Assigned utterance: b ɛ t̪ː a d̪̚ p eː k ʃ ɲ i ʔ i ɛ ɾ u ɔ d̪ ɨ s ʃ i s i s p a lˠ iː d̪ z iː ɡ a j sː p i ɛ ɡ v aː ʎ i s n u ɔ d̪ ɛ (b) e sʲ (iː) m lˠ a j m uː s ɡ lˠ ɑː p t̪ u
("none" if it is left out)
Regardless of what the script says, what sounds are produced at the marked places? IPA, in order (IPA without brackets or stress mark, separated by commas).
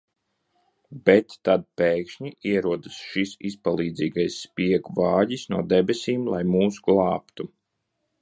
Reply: b, iː